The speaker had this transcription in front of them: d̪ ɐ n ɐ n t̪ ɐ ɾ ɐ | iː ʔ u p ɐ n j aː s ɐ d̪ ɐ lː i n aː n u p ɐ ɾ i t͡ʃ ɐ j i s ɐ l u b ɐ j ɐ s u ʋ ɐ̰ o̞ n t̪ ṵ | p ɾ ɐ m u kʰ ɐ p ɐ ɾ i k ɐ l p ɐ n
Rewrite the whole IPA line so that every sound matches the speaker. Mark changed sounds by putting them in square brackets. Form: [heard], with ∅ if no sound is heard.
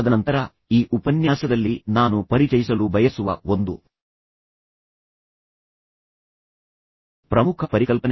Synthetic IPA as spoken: d̪ ɐ n ɐ n t̪ ɐ ɾ ɐ | iː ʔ u p ɐ n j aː s ɐ d̪ ɐ lː i n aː n u p ɐ ɾ i t͡ʃ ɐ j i s ɐ l u b ɐ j ɐ s u ʋ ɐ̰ o̞ n [d̪] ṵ | p ɾ ɐ m u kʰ ɐ p ɐ ɾ i k ɐ l p ɐ n